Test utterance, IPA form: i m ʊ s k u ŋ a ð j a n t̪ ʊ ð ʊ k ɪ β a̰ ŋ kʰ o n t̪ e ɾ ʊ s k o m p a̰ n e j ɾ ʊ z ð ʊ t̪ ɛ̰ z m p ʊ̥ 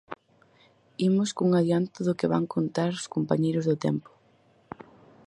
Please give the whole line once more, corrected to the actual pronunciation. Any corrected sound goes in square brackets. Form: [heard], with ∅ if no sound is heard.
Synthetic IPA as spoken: i m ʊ s k u ŋ a ð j a n t̪ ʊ ð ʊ k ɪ β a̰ ŋ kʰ o n t̪ [a] ɾ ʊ s k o m p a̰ [ɲ] e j ɾ ʊ z ð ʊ t̪ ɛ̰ [∅] m p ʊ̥